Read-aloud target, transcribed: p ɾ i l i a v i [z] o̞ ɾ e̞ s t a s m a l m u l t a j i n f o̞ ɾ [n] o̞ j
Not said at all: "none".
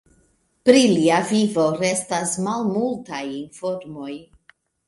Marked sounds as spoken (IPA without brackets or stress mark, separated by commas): v, m